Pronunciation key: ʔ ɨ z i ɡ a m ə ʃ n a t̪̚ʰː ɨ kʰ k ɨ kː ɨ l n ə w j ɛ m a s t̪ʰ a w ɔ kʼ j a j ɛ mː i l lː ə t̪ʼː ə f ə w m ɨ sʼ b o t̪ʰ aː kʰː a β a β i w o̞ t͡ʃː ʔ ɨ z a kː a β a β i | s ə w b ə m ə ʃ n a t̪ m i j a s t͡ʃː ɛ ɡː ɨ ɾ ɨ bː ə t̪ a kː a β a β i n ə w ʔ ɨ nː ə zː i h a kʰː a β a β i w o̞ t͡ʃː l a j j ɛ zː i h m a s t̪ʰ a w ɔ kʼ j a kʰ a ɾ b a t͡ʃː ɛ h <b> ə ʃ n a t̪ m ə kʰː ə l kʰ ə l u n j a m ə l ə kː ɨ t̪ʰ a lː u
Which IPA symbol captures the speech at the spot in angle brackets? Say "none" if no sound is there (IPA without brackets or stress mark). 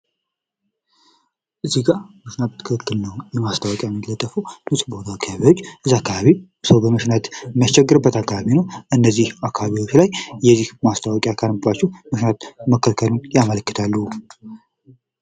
m